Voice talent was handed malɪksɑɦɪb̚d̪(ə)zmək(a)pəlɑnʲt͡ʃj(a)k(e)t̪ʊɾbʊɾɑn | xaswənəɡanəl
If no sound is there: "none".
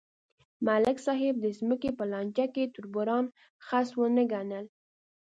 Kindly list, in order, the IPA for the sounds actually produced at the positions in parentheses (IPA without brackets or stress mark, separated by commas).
ə, e, a, e